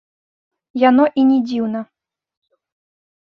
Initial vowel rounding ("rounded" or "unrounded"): unrounded